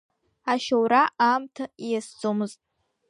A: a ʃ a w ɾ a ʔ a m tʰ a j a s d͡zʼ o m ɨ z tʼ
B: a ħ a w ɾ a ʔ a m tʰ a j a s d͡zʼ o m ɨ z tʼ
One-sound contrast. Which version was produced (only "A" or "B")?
A